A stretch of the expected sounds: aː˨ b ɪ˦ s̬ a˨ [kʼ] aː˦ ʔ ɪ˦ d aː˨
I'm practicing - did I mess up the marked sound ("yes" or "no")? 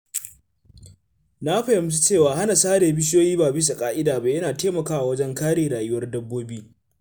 no